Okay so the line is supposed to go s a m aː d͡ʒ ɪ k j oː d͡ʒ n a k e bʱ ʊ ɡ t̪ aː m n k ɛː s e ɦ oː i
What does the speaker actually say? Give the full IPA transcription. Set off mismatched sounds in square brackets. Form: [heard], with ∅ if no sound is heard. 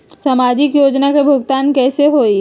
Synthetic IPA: s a m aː d͡ʒ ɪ k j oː d͡ʒ n a k e bʱ ʊ ɡ t̪ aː [∅] n k ɛː s e ɦ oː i

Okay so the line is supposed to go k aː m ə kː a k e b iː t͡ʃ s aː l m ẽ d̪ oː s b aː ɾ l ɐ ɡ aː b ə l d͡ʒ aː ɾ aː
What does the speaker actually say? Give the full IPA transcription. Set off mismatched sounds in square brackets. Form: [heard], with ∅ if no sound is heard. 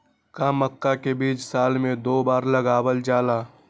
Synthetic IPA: k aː m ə kː a k e b iː t͡ʃ s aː l m ẽ d̪ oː [∅] b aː ɾ l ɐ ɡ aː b ə l d͡ʒ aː [l] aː

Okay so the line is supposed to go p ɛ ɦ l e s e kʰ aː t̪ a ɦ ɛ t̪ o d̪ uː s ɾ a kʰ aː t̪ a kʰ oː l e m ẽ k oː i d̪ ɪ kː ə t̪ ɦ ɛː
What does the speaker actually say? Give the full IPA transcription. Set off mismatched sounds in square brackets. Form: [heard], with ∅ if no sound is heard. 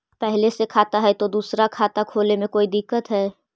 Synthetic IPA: p ɛ ɦ l e s e kʰ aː t̪ a ɦ ɛ t̪ o d̪ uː s ɾ a kʰ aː t̪ a kʰ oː l e m ẽ k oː i d̪ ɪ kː ə t̪ ɦ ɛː

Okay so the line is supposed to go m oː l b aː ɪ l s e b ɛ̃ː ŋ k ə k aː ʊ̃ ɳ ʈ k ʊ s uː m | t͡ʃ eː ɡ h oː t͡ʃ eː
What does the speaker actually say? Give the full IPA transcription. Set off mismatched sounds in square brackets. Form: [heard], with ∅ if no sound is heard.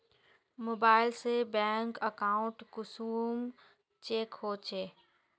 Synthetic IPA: m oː [∅] b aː ɪ l s e b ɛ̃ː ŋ k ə k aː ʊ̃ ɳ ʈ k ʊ s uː m | t͡ʃ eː [k] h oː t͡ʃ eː

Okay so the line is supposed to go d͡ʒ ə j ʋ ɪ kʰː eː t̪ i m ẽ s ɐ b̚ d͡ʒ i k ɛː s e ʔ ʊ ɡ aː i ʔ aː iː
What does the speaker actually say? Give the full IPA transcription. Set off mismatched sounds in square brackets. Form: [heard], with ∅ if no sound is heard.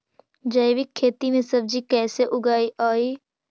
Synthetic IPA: d͡ʒ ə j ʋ ɪ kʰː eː t̪ i m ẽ s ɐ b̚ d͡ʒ i k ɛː s e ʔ ʊ ɡ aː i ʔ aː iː

